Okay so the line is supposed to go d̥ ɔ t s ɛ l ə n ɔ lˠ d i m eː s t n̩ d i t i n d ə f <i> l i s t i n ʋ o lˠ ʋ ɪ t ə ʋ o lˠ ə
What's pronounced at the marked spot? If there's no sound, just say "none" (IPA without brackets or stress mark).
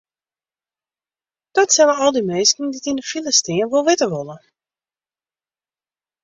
i